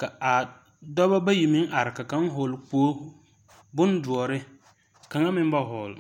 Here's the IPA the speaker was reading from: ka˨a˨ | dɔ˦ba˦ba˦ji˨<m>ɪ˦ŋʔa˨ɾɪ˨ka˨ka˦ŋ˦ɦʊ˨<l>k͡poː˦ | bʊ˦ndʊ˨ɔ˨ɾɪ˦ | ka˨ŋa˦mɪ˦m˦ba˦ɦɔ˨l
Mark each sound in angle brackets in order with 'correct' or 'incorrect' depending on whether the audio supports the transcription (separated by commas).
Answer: correct, correct